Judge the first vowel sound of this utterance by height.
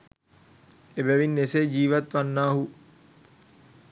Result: mid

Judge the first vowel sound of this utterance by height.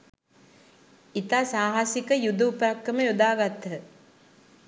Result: high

